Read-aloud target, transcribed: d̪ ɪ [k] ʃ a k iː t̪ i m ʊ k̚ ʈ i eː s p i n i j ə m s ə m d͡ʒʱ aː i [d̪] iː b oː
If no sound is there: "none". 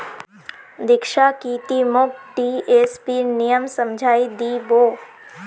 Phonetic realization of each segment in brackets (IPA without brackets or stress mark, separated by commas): k, d̪